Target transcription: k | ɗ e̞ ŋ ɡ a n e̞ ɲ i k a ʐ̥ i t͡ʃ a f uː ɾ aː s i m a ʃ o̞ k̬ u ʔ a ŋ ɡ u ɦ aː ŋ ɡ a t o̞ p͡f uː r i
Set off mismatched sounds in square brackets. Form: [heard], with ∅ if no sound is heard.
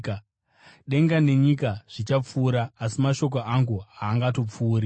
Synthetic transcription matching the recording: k | ɗ e̞ ŋ ɡ a n e̞ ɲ i k a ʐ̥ i t͡ʃ a [p͡f] uː ɾ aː s i m a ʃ o̞ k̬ [o] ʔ a ŋ ɡ u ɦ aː ŋ ɡ a t o̞ p͡f uː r i

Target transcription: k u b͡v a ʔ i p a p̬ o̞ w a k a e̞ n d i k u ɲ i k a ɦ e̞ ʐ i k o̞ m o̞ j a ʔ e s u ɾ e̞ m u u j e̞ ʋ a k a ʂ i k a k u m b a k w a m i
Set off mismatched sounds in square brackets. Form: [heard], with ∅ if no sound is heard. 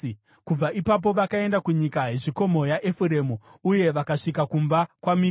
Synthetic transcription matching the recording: k u b͡v a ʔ i p a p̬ o̞ [ʋ] a k a e̞ n d [a] k u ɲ i k a ɦ e̞ ʐ i k o̞ m o̞ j a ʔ e [f] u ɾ e̞ m u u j e̞ ʋ a k a ʂ i k a k u m b a k w a m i

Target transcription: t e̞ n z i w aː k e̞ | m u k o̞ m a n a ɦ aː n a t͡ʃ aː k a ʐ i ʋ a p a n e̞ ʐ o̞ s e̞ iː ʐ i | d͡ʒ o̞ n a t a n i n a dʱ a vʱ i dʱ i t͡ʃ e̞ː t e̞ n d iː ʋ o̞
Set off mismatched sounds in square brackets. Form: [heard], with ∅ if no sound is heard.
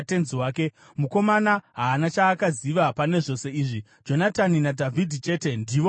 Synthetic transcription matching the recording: t e̞ n z i w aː k e̞ | m u k o̞ m a n a ɦ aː n a t͡ʃ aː k a [z] i ʋ a p a n e̞ ʐ o̞ s e̞ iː ʐ i | d͡ʒ o̞ n a t a n i n a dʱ a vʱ i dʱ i t͡ʃ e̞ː t e̞ n d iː ʋ o̞

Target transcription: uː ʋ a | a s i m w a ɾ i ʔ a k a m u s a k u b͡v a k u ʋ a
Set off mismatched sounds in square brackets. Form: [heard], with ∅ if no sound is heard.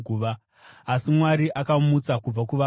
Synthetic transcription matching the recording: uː ʋ a | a s i m w a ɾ i ʔ a k a m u [t͡s] a k u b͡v a k u ʋ a

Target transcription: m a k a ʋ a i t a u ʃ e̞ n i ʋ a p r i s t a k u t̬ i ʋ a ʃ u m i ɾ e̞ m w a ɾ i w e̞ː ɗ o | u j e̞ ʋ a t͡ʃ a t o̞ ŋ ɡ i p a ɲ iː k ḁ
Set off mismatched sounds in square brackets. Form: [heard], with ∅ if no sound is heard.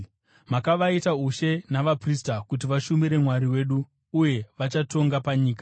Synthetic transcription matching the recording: m a k a ʋ a i t a u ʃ e̞ n [a] ʋ a p r i s t a k u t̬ i ʋ a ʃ u m i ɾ e̞ m w a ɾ i w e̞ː ɗ [u] | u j e̞ ʋ a t͡ʃ a t o̞ ŋ ɡ [a] p a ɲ iː k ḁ

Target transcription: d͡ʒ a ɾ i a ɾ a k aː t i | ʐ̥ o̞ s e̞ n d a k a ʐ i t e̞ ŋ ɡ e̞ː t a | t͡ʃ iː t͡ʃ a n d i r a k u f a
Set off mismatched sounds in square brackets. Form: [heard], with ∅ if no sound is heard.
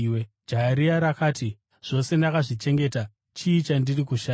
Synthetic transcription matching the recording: d͡ʒ a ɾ i a ɾ a k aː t i | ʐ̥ o̞ s e̞ n d a k a ʐ i [t͡ʃ] e̞ ŋ ɡ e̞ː t a | t͡ʃ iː t͡ʃ a n d i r [i] k u [ʃ] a

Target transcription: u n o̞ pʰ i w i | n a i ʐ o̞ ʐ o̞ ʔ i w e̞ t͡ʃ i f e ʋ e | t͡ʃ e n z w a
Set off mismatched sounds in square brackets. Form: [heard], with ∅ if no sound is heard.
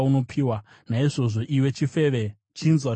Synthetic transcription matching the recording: u n o̞ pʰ i w [a] | n a i ʐ o̞ ʐ o̞ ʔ i w e̞ t͡ʃ i f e ʋ e | t͡ʃ [i] n z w a

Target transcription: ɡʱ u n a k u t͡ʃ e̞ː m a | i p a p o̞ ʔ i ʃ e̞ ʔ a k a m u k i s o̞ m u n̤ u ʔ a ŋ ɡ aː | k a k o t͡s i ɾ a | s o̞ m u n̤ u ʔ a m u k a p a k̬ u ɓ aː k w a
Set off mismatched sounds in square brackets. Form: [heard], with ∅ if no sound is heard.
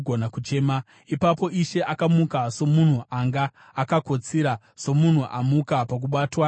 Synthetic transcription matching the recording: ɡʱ [o] n a k u t͡ʃ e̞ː m a | i p a p o̞ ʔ i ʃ e̞ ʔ a k a m u k [a] s o̞ m u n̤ u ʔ a ŋ ɡ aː | k a k o t͡s i ɾ a | s o̞ m u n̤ u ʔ a m u k a p a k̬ u ɓ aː [t] w a

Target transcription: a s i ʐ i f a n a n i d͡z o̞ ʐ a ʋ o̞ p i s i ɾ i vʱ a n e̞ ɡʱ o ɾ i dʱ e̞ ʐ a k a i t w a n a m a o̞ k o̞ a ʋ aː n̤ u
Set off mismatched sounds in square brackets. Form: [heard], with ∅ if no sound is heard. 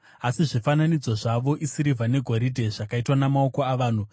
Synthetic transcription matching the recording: a s i ʐ i f a n a n i d͡z o̞ ʐ a ʋ o̞ [ʔ] i s i ɾ i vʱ a n e̞ ɡʱ o ɾ i dʱ e̞ ʐ a k a i t w a n a m a o̞ k o̞ a ʋ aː n̤ u

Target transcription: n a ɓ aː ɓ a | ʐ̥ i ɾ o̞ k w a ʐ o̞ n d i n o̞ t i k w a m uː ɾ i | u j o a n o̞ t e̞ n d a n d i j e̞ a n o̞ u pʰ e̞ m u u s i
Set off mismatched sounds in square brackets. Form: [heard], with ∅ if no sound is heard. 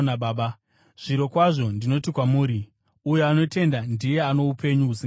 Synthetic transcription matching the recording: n a ɓ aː ɓ a | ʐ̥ i ɾ o̞ k w a ʐ o̞ n d i n o̞ t i k w a m uː ɾ i | u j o a n o̞ t e̞ n d a n d i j e̞ a n o̞ u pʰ e̞ [ɲ] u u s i

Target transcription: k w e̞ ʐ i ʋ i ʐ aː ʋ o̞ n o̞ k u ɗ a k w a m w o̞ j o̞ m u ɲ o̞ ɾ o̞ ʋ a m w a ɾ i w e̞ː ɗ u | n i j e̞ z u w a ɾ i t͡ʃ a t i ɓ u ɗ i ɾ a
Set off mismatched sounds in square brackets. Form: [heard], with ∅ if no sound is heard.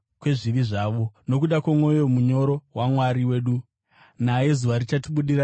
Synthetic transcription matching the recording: k w e̞ ʐ i ʋ i ʐ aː ʋ o̞ n o̞ k u ɗ a k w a m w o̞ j o̞ m u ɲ o̞ ɾ o̞ [w] a m w a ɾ i w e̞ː ɗ u | n [a] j e̞ z u [ʋ] a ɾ i t͡ʃ a t i ɓ u ɗ i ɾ a

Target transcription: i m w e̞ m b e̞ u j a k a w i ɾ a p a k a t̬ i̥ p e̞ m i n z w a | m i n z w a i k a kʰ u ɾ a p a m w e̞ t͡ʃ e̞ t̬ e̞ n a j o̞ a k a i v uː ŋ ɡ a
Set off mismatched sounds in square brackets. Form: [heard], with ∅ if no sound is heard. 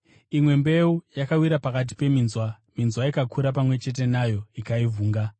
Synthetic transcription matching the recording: i m w e̞ m b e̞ u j a k a w i ɾ a p a k a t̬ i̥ p e̞ m i n z w a | m i n z w a i k a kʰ u ɾ a p a m w e̞ t͡ʃ e̞ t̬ e̞ n a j o̞ [i] k a i v uː ŋ ɡ a

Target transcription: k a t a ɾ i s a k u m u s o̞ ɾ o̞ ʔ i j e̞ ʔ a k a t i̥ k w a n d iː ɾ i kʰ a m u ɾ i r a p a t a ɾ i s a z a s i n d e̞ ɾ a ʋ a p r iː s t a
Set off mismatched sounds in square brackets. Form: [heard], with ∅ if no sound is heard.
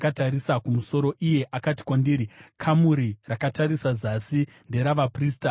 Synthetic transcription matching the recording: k a t a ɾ i s a k u m u s o̞ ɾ o̞ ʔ i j e̞ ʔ a k a t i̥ k w a n d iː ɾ i kʰ a m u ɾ i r a [k] a t a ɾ i s a z a s i n d e̞ ɾ a ʋ a p r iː s t a

